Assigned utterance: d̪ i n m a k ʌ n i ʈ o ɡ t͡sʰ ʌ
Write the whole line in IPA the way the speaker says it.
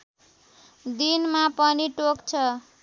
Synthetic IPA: d̪ i n m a p ʌ n i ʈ o k t͡sʰ ʌ